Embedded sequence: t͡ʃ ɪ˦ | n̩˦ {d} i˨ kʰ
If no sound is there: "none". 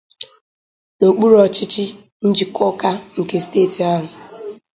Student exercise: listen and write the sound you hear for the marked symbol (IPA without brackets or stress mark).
d͡ʒ